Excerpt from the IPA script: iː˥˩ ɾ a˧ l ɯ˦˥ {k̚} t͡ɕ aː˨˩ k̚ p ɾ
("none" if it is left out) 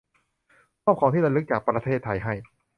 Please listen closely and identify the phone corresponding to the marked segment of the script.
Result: k̚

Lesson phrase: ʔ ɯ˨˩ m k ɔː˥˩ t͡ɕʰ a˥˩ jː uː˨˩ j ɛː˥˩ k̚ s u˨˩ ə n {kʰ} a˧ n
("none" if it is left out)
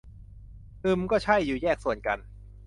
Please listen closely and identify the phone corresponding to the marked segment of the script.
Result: k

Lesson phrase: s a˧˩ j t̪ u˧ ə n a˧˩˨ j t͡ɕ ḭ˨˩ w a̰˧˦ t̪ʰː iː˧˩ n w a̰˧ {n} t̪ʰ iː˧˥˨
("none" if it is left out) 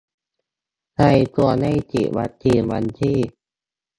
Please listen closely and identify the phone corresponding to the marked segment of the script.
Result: n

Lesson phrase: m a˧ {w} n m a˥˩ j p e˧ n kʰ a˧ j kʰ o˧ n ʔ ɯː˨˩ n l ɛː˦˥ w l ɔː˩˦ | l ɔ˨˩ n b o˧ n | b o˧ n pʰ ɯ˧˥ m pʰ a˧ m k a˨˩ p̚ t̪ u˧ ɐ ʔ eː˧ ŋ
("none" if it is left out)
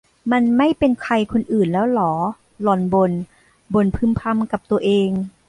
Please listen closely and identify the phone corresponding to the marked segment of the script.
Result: none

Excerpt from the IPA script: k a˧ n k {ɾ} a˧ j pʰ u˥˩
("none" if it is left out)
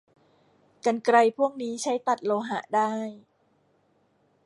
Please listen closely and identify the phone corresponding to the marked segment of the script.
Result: ɾ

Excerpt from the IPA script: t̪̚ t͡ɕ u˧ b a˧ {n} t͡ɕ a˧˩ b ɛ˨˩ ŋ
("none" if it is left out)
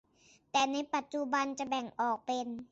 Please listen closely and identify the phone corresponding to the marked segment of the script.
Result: n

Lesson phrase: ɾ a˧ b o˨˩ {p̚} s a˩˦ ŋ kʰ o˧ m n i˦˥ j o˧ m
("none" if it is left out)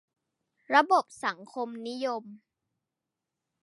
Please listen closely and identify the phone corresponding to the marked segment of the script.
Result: p̚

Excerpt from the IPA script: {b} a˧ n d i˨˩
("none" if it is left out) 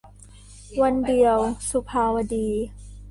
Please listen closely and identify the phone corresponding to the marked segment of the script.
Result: w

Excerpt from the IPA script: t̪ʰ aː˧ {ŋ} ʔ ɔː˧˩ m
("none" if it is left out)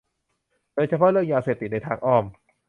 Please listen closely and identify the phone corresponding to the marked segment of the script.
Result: ŋ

